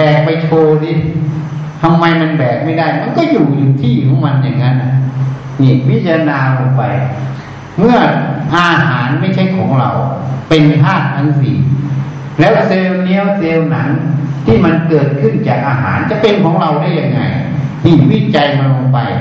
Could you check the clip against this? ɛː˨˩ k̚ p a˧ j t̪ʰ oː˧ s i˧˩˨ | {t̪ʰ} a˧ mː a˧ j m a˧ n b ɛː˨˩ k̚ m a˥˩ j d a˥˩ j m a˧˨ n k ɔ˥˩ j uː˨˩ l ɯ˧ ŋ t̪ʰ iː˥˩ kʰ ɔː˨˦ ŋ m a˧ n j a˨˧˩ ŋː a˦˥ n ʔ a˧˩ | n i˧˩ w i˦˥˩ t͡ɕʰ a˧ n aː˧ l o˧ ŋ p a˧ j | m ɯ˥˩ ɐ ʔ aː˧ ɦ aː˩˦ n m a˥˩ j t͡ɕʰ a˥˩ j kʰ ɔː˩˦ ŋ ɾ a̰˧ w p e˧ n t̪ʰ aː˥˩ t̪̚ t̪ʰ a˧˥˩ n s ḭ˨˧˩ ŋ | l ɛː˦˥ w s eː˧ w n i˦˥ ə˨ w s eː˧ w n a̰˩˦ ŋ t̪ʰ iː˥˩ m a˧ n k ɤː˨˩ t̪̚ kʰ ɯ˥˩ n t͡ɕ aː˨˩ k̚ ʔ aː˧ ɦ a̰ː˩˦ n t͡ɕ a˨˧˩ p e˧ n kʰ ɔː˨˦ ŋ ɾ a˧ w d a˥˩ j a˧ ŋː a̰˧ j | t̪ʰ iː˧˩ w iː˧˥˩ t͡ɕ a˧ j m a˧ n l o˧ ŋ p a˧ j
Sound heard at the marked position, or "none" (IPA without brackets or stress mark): t̪ʰ